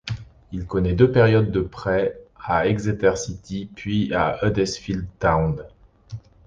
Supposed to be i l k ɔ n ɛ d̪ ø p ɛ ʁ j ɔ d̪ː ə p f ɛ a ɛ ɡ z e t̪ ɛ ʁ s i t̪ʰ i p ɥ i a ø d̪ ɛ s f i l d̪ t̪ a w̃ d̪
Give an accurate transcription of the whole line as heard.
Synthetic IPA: i l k ɔ n ɛ d̪ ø p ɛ ʁ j ɔ d̪ː ə p χ ɛ a ɛ ɡ z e t̪ ɛ ʁ s i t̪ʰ i p ɥ i a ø d̪ ɛ s f i l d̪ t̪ a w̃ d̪

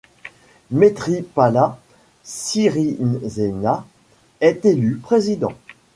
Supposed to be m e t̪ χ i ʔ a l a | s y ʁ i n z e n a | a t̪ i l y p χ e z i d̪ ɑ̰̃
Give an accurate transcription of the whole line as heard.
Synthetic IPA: m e t̪ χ i p a l a | s i ʁ i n z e n a | ɛ t̪ e l y p χ e z i d̪ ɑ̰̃

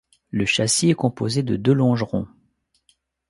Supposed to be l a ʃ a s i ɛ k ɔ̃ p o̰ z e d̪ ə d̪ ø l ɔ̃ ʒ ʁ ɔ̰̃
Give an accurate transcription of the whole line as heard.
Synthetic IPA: l ə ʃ a s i ɛ k ɔ̃ p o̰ z e d̪ ə d̪ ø l ɔ̃ ʒ ʁ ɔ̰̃

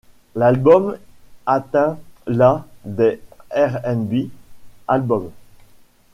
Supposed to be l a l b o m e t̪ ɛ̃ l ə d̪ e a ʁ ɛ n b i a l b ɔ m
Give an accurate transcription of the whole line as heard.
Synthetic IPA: l a l b ɔ m a t̪ ɛ̃ l a d̪ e ɛ ʁ ɛ n b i a l b ɔ m

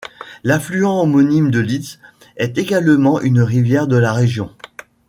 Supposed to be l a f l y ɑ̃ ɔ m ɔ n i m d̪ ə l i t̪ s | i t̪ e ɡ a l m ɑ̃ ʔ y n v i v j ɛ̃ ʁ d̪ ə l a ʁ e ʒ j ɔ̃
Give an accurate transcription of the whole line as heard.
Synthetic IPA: l a f l y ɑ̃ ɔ m ɔ n i m d̪ ə l i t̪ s | ɛ t̪ e ɡ a l m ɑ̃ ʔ y n ʁ i v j ɛ ʁ d̪ ə l a ʁ e ʒ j ɔ̃

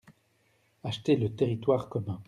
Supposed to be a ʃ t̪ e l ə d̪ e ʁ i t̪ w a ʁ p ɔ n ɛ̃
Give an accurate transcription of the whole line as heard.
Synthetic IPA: a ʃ t̪ e l ə t̪ e ʁ i t̪ w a ʁ k ɔ m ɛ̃

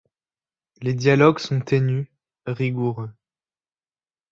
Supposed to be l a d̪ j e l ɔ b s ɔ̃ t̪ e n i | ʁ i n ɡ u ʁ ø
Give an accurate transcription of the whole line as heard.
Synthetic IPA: l e d̪ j a l ɔ ɡ s ɔ̃ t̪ e n y | ʁ i ɡ u ʁ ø

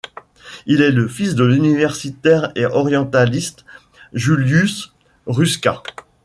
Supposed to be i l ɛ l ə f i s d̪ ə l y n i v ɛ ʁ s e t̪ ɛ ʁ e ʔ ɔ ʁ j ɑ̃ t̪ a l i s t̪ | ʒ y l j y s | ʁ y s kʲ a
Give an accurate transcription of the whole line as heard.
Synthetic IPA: i l ɛ l ə f i s d̪ ə l y n i v ɛ ʁ s i t̪ ɛ ʁ e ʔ ɔ ʁ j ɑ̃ t̪ a l i s t̪ | ʒ y l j y s | ʁ y s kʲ a

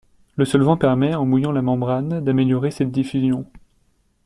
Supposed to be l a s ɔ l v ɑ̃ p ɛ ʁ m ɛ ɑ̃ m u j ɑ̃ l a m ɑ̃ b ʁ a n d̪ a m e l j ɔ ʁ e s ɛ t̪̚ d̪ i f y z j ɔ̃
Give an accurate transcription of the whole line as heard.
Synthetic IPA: l ə s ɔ l v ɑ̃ p ɛ ʁ m ɛ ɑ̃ m u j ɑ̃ l a m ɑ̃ b ʁ a n d̪ a m e l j ɔ ʁ e s ɛ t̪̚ d̪ i f y z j ɔ̃

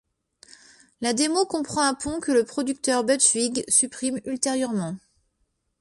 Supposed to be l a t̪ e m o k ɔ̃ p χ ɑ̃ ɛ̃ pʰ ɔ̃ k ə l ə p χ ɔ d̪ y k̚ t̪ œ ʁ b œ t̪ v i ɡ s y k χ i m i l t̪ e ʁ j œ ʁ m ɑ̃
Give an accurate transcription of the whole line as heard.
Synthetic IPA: l a d̪ e m o k ɔ̃ p χ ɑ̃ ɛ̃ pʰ ɔ̃ k ə l ə p χ ɔ d̪ y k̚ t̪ œ ʁ b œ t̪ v i ɡ s y p χ i m y l t̪ e ʁ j œ ʁ m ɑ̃

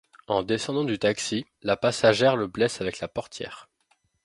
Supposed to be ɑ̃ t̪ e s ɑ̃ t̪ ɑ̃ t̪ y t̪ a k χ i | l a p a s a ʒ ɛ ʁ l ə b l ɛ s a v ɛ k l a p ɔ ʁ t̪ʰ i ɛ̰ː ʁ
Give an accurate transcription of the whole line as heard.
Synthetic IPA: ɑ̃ d̪ e s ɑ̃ d̪ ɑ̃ d̪ y t̪ a k s i | l a p a s a ʒ ɛ ʁ l ə b l ɛ s a v ɛ k l a p ɔ ʁ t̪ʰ j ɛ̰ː ʁ

